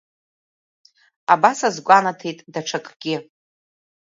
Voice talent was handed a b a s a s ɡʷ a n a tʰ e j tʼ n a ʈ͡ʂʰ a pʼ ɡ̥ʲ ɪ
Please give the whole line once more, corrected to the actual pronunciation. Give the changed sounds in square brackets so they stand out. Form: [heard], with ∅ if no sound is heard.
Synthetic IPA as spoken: a b a s a [z] ɡʷ a n a tʰ e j tʼ [d] a ʈ͡ʂʰ a [kʼ] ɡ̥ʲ ɪ

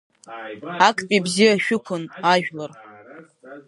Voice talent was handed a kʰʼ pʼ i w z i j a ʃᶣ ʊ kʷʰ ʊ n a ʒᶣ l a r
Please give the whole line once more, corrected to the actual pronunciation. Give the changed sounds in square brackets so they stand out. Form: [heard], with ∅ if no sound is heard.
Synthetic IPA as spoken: a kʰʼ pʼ i [b] z i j a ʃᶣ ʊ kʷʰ ʊ n a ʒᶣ l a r

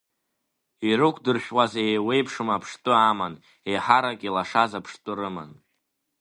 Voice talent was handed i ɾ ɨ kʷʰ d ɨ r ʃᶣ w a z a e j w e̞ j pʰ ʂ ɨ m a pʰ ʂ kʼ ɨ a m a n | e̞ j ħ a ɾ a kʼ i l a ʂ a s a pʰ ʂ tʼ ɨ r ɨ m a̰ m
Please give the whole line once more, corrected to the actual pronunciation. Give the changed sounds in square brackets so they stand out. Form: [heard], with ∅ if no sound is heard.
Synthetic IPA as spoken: i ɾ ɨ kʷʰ d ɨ r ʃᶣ w a z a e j w e̞ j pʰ ʂ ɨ m a pʰ ʂ [tʼ] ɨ a m a n | e̞ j ħ a ɾ a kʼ i l a ʂ a [z] a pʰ ʂ tʼ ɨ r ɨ m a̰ [n]

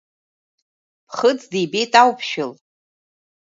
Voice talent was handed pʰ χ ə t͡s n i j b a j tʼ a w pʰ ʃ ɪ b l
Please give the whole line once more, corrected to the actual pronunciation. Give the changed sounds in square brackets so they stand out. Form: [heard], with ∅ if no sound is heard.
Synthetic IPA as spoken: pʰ χ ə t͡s [d] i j b [e] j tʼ a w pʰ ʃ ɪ [∅] l

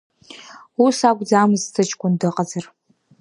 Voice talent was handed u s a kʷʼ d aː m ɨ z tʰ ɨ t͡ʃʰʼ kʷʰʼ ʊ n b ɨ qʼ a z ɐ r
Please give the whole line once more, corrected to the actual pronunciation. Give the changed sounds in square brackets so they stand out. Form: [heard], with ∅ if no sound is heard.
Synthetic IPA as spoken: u s a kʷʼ [d͡z] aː m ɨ z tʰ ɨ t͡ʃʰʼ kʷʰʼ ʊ n [d] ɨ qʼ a z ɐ r

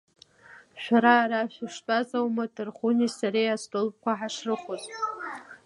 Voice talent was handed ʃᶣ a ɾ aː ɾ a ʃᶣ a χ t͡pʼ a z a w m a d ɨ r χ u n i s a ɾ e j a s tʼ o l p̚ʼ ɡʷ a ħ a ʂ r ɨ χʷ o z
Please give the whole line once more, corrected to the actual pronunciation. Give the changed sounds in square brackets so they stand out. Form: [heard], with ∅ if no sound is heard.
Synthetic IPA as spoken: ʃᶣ a ɾ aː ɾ a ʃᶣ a [ʂ] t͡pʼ a z a w m a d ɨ r χ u n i s a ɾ e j a s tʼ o l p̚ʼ [kʷ] a ħ a ʂ r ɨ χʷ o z

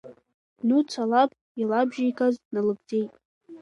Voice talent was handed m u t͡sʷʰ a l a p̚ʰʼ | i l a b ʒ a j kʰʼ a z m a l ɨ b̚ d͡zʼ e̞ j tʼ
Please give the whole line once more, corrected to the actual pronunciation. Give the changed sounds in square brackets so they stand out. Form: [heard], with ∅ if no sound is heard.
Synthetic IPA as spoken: [n] u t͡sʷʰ a l a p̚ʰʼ | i l a b ʒ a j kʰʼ a z [n] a l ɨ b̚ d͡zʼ e̞ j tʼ

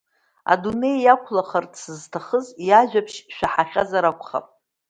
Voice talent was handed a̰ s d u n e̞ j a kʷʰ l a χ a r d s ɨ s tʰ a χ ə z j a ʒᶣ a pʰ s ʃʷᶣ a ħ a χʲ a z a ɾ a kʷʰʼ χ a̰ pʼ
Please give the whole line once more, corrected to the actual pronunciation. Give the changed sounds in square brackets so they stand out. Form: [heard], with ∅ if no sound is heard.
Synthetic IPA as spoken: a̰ [∅] d u n e̞ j a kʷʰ l a χ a r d s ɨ [z] tʰ a χ ə z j a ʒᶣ a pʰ [ʃ] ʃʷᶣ a ħ a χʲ a z a ɾ a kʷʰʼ χ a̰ pʼ

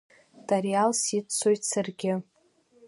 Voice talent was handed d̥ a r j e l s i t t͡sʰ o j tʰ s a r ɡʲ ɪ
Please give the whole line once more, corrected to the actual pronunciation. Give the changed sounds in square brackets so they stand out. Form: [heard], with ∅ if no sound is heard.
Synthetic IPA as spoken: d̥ a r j [a] l s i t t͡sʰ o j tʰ s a r ɡʲ ɪ

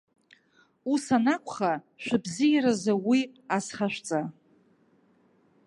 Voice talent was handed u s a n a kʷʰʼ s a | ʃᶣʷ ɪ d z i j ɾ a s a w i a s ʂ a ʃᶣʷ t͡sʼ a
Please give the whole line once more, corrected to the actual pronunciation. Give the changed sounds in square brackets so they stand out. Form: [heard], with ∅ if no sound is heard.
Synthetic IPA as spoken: u s a n a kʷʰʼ [χ] a | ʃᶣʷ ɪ [b] z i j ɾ a [z] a w i a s [χ] a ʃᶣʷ t͡sʼ a

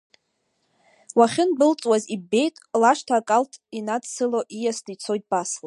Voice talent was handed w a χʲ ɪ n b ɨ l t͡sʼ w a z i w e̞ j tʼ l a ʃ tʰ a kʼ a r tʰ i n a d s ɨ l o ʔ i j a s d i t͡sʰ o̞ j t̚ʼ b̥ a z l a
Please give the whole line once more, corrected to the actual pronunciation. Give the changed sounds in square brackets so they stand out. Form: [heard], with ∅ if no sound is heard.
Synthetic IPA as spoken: w a χʲ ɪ n b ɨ l t͡sʼ w a z i [b] e̞ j tʼ l a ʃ tʰ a kʼ a [l] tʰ i n a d s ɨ l o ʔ i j a s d i t͡sʰ o̞ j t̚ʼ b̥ a [s] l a

